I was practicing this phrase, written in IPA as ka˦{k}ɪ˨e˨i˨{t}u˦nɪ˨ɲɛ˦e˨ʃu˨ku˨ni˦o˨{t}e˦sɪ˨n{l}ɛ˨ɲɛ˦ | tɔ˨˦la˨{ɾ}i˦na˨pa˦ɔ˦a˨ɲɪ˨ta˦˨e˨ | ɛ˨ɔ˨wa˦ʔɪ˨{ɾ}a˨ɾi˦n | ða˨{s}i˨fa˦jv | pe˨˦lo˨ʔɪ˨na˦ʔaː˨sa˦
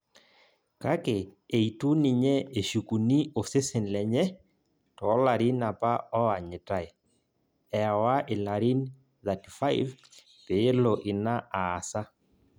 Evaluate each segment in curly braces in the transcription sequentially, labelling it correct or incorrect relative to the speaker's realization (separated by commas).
correct, correct, incorrect, correct, correct, incorrect, incorrect